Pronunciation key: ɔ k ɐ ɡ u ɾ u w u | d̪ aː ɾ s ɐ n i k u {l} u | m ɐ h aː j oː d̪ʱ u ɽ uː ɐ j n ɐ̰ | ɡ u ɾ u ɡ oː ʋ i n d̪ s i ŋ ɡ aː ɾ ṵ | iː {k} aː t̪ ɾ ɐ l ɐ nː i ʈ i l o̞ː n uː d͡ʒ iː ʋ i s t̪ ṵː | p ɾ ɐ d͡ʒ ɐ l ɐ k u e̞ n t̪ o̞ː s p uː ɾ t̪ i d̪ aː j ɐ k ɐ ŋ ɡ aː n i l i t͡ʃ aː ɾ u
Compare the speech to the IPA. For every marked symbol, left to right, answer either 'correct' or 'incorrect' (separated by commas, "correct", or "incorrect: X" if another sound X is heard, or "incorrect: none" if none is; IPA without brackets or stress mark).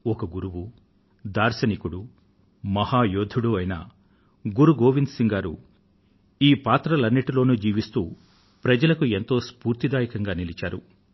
incorrect: ɽ, incorrect: p